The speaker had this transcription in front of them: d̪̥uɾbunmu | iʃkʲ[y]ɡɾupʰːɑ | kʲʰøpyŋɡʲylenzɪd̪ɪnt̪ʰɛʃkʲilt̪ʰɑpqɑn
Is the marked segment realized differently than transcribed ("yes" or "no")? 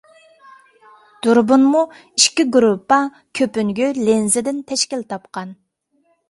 yes